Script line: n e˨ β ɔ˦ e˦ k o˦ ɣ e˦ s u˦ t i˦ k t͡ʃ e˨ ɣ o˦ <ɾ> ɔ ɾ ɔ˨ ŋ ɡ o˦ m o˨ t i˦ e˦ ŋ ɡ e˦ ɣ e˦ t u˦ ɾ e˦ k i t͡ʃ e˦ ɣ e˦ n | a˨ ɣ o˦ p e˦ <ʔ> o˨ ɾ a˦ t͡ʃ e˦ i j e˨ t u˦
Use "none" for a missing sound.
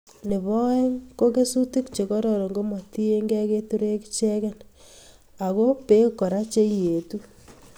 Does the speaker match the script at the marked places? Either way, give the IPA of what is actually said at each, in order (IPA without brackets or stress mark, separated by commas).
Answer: ɾ, k